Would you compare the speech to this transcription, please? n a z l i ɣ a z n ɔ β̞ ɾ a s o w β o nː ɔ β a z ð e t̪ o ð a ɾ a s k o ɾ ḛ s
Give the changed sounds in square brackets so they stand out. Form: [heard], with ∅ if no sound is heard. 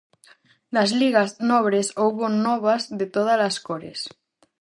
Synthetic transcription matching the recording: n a z l i ɣ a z n ɔ β̞ ɾ [e] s o w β o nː ɔ β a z ð e t̪ o ð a [l] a s k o ɾ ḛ s